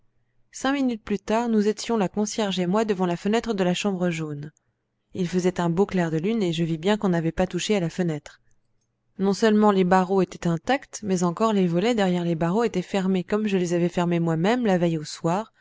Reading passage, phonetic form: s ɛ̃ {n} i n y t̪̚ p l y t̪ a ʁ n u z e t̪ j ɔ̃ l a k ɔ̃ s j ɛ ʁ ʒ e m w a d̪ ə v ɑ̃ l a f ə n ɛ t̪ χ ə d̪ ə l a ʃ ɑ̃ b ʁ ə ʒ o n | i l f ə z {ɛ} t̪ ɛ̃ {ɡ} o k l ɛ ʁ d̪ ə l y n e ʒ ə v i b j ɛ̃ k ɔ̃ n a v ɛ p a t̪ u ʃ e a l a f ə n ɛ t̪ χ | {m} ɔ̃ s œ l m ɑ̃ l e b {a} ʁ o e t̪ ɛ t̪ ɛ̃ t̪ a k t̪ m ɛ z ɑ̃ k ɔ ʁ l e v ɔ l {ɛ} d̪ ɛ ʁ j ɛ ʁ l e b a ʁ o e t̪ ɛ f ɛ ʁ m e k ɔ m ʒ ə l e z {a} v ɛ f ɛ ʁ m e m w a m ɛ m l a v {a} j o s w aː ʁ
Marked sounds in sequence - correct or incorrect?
incorrect: m, correct, incorrect: b, incorrect: n, correct, correct, correct, incorrect: ɛ

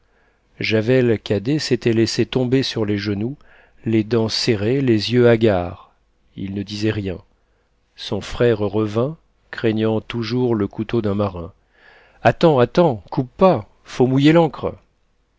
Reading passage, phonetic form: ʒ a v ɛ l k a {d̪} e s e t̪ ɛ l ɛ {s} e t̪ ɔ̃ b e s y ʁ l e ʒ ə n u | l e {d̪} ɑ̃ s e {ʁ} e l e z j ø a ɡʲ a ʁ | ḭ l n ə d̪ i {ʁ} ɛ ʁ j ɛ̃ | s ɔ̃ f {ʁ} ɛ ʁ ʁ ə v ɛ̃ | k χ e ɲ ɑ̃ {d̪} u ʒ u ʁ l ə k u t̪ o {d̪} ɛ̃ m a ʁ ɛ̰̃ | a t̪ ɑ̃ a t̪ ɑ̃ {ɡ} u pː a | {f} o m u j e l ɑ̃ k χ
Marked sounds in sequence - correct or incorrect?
correct, correct, correct, correct, incorrect: z, incorrect: χ, incorrect: t̪, correct, incorrect: k, correct

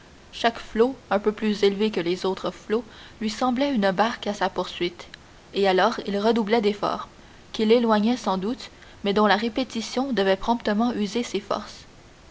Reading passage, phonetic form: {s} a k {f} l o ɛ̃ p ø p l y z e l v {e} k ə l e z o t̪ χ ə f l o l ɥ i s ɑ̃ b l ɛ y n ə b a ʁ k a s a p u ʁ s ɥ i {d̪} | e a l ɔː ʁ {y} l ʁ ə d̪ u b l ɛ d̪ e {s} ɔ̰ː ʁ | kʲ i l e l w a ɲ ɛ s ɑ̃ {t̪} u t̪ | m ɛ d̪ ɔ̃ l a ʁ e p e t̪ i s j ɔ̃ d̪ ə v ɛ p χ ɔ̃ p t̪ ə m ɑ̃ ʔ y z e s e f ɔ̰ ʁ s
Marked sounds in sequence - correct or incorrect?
incorrect: ʃ, correct, correct, incorrect: t̪, incorrect: i, incorrect: f, incorrect: d̪

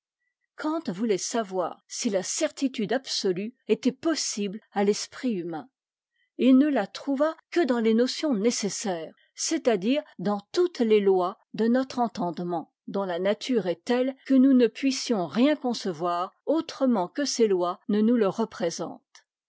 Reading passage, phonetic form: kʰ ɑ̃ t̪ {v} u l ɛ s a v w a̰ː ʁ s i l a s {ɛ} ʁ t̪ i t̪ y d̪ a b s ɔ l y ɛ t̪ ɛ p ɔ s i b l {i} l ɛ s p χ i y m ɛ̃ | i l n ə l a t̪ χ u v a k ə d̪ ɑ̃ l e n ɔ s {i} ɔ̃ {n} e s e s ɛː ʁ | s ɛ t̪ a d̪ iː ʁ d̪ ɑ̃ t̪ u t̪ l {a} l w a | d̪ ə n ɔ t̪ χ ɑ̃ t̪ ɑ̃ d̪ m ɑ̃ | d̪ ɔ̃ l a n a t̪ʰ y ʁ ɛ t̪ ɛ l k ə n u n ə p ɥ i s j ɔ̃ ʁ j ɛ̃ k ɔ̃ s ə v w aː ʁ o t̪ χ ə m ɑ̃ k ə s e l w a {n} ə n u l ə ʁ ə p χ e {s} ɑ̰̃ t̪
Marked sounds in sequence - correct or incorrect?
correct, correct, incorrect: a, incorrect: j, correct, incorrect: e, correct, incorrect: z

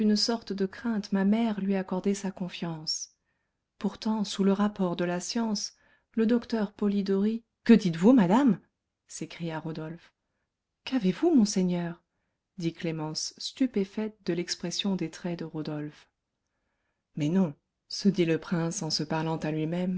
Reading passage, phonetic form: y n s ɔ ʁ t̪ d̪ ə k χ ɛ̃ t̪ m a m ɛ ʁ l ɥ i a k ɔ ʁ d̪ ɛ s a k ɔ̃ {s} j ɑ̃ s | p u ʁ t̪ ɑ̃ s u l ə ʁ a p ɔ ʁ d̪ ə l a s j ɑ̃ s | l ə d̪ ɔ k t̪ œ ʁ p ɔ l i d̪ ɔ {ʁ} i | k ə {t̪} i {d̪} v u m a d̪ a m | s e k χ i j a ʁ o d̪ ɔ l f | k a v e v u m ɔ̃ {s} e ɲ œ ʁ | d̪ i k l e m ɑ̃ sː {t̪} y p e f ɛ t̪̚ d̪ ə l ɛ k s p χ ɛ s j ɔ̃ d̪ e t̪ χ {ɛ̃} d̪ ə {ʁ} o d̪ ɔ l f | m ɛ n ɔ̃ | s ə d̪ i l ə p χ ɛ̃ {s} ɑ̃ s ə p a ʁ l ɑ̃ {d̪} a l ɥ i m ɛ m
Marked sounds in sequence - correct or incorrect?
incorrect: f, correct, incorrect: d̪, incorrect: t̪, correct, correct, incorrect: ɛ, correct, correct, incorrect: t̪

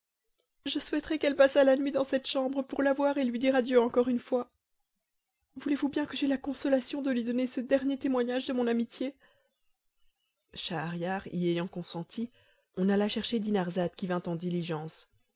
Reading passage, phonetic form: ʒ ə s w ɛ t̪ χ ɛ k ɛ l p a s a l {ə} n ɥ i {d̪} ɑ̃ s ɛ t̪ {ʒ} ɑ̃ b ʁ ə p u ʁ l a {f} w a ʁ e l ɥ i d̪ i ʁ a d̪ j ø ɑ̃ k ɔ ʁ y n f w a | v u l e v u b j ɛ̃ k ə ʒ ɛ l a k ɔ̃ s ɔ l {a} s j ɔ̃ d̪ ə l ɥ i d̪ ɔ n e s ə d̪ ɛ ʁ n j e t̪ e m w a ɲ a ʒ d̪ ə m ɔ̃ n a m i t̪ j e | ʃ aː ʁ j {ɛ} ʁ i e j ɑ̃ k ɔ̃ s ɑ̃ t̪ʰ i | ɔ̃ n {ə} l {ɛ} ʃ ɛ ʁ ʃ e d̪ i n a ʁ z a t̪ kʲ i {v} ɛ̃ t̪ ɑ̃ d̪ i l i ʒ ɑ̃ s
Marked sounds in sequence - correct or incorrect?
incorrect: a, correct, incorrect: ʃ, incorrect: v, correct, incorrect: a, incorrect: a, incorrect: a, correct

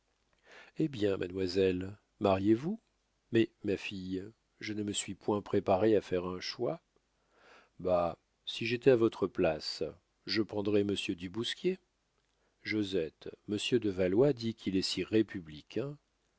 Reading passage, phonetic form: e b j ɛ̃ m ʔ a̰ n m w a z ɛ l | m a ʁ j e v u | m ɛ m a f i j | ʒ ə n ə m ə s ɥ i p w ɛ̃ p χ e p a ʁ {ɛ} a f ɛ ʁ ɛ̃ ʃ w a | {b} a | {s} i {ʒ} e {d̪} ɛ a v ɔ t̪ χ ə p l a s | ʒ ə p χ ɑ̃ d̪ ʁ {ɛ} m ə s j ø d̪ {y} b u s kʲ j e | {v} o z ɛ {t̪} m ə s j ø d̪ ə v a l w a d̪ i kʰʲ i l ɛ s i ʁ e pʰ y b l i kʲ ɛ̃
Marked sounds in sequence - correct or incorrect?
incorrect: e, correct, correct, correct, incorrect: t̪, correct, correct, incorrect: ʒ, correct

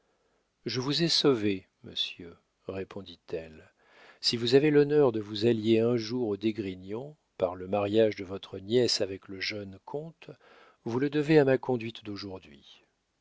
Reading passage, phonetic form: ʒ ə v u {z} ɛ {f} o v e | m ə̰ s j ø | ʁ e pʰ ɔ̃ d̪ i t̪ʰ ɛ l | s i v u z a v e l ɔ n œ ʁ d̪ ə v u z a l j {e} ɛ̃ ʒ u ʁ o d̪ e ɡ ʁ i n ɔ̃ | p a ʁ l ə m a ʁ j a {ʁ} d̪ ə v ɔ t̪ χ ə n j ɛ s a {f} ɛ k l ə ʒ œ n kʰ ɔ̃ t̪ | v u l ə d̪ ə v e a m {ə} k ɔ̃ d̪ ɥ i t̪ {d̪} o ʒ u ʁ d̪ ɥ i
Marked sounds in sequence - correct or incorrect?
correct, incorrect: s, correct, incorrect: ʒ, incorrect: v, incorrect: a, correct

